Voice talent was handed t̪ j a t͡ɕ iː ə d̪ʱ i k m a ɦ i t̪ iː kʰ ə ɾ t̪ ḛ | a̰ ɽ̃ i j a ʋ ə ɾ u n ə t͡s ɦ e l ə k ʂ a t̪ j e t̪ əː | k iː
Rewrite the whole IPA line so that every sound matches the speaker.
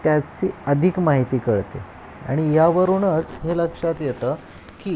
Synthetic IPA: t̪ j a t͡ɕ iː ə d̪ʱ i k m a ɦ i t̪ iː k ə ɭ t̪ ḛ | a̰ ɽ̃ i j a ʋ ə ɾ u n ə t͡s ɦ e l ə k ʂ a t̪ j e t̪ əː | k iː